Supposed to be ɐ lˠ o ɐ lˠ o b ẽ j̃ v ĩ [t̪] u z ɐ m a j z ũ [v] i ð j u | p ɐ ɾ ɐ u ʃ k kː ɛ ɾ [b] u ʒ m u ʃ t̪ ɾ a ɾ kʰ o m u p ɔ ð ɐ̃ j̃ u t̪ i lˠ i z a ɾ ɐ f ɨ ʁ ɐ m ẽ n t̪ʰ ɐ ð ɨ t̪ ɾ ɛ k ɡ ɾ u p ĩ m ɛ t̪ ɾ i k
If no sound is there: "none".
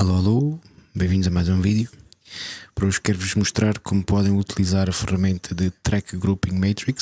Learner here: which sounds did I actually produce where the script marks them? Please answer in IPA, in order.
d̪, v, v

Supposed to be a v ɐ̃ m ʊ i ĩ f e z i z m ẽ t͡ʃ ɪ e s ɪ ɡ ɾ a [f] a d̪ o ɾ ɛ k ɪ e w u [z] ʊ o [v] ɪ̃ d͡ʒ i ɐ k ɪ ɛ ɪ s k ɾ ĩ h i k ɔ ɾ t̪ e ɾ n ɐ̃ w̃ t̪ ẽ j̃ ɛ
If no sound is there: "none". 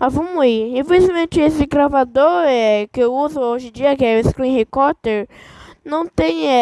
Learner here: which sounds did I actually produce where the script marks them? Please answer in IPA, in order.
v, z, ʒ

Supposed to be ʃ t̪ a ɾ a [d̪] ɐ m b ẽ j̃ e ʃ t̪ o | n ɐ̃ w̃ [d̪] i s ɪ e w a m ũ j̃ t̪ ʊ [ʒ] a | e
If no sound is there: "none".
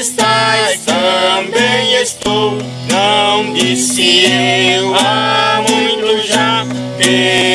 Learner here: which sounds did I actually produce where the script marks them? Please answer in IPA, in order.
t̪, d̪, ʒ

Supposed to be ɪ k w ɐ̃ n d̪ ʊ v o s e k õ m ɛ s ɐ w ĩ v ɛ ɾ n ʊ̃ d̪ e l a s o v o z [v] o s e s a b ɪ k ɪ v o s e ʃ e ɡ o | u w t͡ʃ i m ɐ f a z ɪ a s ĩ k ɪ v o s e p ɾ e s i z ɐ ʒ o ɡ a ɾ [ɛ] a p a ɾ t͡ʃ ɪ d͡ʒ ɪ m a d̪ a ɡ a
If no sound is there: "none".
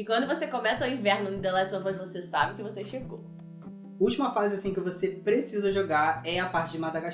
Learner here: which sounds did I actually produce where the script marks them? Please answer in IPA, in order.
v, ɛ

